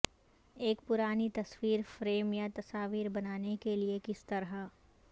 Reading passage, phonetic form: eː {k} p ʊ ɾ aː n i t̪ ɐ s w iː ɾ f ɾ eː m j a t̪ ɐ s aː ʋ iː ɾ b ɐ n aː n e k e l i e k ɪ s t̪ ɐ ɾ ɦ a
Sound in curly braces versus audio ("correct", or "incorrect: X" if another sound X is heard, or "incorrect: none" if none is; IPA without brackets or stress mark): correct